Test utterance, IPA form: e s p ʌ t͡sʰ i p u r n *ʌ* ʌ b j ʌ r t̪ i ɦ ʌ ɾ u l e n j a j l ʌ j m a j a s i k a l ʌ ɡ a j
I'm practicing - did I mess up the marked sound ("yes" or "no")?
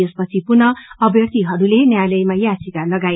no